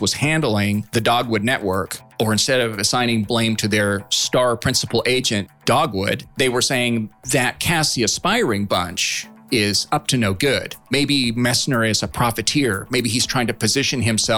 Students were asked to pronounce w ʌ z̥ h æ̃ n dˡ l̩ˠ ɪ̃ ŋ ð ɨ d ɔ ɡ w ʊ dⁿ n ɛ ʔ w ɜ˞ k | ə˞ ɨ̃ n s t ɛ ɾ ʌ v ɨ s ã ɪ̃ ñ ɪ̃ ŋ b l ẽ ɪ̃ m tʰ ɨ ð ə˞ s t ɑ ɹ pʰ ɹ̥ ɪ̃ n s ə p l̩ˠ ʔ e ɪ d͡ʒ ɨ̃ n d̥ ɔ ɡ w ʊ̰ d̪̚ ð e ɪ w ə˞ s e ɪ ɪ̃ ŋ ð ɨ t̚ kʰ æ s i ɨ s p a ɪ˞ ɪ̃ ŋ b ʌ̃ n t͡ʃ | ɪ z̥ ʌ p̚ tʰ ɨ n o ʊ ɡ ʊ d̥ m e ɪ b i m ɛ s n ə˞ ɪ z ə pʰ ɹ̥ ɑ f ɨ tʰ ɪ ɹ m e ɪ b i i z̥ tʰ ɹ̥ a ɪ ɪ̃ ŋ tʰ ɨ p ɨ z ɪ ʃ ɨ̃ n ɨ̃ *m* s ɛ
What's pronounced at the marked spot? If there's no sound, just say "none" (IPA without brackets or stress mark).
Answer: m